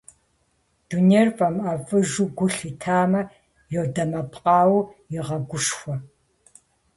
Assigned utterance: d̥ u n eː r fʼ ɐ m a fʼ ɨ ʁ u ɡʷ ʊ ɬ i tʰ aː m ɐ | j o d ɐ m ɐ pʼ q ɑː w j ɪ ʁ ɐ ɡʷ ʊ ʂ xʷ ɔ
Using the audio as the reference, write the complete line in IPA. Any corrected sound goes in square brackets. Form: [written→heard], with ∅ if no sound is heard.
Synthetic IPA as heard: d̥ u n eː r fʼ ɐ m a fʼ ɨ [ʁ→ʒ] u ɡʷ ʊ ɬ i tʰ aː m ɐ | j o d ɐ m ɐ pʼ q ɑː w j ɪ ʁ ɐ ɡʷ ʊ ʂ xʷ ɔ